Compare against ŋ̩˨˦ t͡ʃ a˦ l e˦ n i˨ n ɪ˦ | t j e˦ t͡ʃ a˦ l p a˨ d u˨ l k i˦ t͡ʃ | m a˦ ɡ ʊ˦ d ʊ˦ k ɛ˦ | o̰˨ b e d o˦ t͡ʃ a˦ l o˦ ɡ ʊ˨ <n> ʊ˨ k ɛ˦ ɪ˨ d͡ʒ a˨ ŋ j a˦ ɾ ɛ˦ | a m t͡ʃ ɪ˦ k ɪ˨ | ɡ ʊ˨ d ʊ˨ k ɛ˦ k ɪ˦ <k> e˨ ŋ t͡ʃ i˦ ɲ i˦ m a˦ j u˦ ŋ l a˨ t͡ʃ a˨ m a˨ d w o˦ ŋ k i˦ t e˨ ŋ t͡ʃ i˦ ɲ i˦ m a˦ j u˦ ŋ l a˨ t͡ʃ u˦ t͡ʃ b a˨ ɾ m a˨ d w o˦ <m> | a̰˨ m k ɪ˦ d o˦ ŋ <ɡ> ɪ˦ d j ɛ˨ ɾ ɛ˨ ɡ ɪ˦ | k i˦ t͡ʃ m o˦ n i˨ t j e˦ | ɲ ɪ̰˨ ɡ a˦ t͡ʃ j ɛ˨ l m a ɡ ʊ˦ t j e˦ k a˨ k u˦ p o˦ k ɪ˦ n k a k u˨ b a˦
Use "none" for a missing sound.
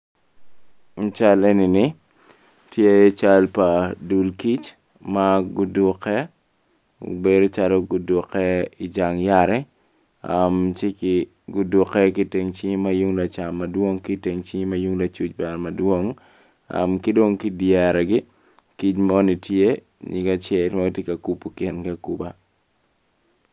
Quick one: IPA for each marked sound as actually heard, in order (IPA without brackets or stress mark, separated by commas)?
d, t, ŋ, k